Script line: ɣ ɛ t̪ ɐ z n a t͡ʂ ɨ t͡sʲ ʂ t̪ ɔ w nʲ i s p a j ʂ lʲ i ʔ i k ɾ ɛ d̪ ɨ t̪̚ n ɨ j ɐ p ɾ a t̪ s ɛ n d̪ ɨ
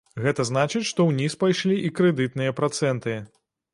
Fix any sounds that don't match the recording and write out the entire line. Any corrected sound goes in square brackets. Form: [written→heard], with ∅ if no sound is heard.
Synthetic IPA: ɣ ɛ t̪ ɐ z n a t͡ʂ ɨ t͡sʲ ʂ t̪ ɔ w nʲ i s p a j ʂ lʲ i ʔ i k ɾ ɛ d̪ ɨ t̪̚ n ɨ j ɐ p ɾ a t̪ s ɛ n [d̪→t̪] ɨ